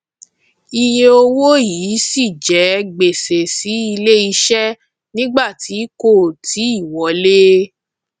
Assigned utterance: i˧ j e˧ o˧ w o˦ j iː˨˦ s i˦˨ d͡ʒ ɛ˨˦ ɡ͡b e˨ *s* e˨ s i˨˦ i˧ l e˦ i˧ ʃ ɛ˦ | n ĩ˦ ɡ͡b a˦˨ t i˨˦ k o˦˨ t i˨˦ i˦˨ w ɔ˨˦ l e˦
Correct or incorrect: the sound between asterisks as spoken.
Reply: correct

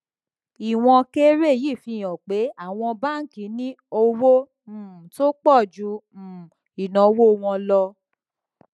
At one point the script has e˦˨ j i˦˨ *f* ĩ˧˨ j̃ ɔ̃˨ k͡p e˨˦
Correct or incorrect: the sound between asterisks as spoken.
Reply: correct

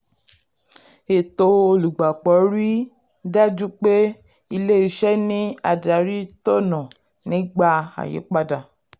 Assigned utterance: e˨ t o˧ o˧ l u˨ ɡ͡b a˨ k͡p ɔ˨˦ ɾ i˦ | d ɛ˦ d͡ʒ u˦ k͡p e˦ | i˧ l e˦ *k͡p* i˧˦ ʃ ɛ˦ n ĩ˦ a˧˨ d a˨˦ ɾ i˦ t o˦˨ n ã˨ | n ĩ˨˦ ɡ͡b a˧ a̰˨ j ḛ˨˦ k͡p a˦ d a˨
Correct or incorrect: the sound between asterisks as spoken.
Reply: incorrect: none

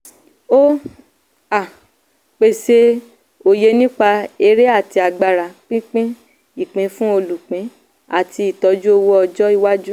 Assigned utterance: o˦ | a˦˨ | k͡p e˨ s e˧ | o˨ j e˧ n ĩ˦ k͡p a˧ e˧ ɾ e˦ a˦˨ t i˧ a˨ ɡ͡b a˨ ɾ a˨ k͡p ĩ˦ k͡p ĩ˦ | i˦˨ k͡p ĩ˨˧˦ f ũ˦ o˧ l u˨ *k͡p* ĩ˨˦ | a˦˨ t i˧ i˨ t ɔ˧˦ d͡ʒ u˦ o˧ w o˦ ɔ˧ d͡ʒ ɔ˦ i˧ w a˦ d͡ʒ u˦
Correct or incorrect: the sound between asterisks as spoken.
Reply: correct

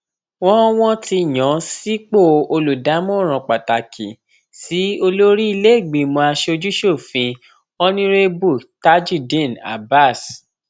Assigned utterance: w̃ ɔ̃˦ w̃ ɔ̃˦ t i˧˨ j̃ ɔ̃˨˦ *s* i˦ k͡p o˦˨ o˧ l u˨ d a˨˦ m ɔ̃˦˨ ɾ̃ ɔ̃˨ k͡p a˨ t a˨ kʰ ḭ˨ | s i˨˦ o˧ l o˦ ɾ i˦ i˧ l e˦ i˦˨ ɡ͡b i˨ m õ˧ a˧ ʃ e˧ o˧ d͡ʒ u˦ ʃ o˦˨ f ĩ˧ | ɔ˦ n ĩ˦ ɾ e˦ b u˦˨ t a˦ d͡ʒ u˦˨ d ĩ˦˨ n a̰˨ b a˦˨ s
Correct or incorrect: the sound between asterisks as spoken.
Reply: correct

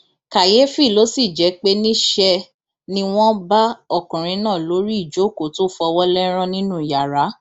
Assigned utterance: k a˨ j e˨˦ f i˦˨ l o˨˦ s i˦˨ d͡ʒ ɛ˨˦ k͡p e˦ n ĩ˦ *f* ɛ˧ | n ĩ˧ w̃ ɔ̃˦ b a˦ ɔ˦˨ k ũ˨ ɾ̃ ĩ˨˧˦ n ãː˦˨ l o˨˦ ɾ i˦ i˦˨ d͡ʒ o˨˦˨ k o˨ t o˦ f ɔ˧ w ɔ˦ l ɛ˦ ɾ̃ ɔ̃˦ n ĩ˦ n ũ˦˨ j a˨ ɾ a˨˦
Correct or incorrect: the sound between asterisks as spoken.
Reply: incorrect: ʃ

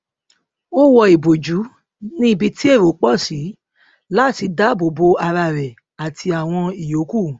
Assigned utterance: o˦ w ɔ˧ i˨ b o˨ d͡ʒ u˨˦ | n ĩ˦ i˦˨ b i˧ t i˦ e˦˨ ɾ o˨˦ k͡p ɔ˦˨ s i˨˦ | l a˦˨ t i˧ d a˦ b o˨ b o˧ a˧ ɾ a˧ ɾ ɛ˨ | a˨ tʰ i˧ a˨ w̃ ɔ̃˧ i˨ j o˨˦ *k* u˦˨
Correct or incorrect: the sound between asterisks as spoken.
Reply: correct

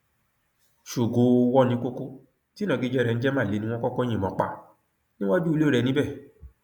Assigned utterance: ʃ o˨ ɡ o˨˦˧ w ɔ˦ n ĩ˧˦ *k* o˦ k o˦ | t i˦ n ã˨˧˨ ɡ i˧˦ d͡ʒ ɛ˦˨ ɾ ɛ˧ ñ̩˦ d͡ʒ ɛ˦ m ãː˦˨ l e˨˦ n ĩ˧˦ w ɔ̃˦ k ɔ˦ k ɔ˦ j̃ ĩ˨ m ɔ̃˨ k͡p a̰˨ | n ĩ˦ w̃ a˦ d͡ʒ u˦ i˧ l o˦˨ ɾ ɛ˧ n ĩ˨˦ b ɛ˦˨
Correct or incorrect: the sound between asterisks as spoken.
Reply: correct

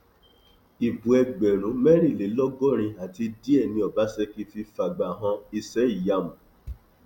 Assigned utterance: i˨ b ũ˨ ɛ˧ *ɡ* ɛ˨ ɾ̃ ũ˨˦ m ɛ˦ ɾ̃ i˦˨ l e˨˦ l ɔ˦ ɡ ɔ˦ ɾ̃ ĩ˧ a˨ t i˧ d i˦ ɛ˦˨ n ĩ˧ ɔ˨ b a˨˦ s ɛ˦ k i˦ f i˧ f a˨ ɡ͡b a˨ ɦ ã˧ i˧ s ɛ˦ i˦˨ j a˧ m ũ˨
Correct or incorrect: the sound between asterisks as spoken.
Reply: incorrect: ɡ͡b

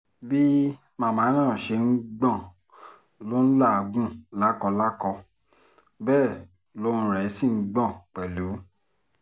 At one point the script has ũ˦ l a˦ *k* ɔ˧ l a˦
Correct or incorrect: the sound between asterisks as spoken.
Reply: correct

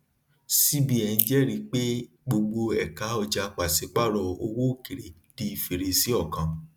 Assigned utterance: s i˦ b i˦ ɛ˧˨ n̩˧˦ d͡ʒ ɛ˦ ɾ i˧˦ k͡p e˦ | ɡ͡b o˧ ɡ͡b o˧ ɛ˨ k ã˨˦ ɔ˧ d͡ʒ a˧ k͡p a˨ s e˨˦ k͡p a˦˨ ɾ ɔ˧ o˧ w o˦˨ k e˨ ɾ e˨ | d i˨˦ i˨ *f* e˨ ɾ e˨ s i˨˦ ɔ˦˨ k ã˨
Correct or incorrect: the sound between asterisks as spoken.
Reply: correct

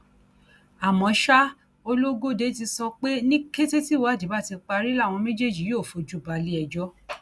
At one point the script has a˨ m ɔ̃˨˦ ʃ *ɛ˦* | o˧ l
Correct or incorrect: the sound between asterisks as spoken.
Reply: incorrect: a˦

